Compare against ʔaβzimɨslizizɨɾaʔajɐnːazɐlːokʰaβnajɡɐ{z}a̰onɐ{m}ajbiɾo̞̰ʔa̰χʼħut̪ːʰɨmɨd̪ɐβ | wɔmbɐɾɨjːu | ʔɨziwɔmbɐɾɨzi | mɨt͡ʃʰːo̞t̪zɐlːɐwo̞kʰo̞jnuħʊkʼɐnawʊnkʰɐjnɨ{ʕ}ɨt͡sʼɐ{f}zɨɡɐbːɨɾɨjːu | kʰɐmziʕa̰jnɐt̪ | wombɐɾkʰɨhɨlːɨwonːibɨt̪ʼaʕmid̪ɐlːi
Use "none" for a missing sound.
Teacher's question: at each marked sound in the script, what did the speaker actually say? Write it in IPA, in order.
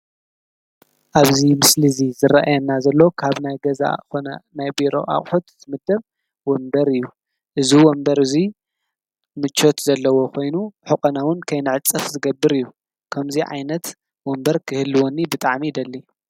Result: z, n, ʕ, f

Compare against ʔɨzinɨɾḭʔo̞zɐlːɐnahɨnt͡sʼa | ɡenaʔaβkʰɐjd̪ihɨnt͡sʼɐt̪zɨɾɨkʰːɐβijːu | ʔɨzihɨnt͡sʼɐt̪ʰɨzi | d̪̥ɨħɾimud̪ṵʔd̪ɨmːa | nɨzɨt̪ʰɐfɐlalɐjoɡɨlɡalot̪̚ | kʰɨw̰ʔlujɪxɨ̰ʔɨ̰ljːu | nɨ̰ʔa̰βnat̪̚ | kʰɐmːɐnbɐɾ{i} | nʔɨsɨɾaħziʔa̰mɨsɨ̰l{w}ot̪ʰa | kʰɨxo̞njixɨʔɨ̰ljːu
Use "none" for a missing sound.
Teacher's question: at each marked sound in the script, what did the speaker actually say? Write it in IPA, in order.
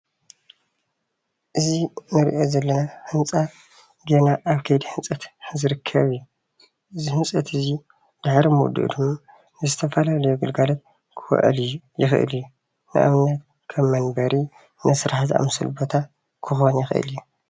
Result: i, b

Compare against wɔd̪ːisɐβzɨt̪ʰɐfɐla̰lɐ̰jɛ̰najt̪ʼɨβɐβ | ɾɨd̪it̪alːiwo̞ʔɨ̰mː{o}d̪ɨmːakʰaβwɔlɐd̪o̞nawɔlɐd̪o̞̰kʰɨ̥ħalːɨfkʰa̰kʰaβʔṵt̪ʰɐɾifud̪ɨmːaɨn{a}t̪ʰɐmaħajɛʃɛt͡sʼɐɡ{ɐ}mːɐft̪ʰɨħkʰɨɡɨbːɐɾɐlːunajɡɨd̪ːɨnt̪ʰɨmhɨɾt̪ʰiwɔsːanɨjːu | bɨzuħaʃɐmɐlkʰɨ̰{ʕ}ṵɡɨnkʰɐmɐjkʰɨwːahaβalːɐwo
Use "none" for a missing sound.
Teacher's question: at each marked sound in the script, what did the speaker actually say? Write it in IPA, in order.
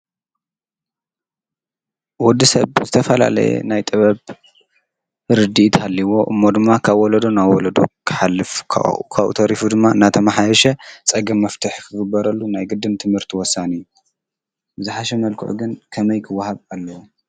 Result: o, a, ɐ, ʕ

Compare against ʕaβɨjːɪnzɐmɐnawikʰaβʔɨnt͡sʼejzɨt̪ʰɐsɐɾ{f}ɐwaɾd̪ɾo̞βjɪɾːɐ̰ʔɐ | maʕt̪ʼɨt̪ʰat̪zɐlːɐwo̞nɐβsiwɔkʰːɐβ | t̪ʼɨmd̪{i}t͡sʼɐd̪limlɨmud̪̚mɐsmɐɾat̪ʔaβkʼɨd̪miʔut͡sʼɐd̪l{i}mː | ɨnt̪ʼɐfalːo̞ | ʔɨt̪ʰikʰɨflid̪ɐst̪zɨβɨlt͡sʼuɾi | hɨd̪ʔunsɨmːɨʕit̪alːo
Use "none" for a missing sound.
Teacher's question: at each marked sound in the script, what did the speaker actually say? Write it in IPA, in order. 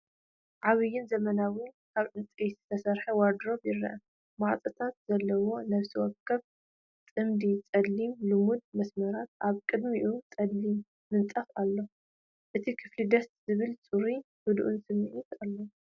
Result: ħ, i, i

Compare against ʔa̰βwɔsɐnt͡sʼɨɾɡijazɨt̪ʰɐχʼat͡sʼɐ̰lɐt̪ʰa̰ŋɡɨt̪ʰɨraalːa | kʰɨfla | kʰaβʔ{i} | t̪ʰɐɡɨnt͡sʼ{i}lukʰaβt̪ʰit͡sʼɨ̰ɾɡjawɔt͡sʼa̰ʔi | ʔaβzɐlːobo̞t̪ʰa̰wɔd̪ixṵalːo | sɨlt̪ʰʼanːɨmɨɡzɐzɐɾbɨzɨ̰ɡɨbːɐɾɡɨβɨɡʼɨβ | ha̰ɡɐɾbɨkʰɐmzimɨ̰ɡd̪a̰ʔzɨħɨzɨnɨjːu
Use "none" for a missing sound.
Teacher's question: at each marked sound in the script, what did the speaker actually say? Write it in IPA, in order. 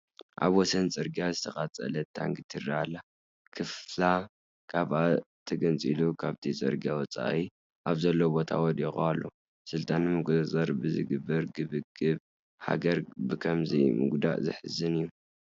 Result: a, i

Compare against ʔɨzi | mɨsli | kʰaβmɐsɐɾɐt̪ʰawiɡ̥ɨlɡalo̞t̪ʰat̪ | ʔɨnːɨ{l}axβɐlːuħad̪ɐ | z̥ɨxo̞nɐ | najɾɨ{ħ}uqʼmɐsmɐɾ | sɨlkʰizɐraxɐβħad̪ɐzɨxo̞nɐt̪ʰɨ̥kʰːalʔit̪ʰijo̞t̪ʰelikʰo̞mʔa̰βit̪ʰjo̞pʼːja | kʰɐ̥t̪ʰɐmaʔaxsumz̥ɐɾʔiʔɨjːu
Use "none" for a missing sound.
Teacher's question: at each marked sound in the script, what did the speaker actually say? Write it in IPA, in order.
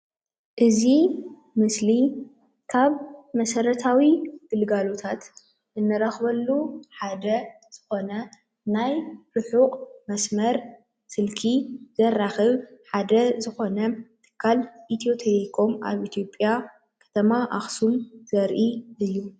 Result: ɾ, ħ

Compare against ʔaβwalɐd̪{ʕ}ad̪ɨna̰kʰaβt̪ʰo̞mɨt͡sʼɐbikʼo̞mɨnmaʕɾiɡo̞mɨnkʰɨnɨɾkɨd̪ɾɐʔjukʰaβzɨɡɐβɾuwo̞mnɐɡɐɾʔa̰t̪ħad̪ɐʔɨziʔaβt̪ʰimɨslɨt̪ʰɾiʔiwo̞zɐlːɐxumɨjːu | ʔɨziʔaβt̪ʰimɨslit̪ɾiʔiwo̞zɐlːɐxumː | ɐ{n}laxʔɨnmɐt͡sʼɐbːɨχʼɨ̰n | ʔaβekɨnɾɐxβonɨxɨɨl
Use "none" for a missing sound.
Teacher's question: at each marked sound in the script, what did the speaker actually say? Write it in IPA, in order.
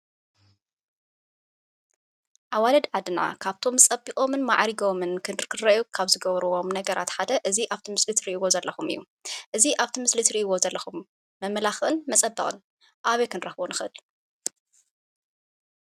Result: ʕ, m

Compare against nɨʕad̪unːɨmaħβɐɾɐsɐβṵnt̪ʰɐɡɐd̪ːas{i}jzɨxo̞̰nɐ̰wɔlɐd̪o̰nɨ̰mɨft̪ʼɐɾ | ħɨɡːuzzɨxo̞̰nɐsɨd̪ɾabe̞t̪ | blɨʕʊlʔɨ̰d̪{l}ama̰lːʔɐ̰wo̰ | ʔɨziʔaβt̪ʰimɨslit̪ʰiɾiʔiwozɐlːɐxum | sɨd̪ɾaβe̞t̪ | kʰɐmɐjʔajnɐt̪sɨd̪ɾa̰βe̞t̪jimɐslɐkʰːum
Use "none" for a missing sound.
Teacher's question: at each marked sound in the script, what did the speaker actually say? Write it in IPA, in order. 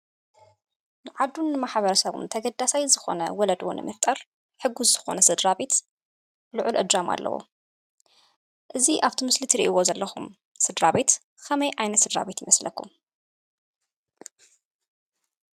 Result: a, ɾ

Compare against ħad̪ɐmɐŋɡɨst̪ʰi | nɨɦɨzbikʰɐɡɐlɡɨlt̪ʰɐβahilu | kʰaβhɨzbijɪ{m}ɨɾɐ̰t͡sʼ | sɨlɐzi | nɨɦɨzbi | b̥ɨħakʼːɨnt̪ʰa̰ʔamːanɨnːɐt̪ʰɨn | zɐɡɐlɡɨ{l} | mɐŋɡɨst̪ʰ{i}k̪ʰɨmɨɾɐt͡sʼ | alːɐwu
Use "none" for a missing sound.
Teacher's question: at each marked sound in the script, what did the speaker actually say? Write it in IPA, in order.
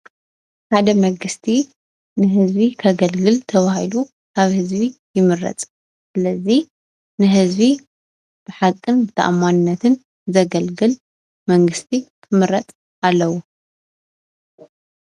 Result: m, l, i

